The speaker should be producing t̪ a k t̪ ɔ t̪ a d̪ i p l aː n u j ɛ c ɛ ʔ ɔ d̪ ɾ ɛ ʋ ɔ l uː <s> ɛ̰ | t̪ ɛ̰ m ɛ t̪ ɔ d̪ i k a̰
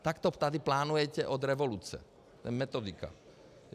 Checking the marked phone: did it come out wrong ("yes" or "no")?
yes